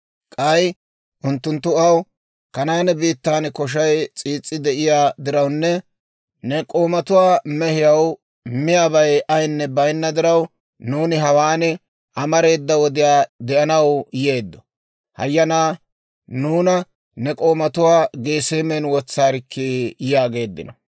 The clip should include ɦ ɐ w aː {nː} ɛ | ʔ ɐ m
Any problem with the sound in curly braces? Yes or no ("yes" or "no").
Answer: yes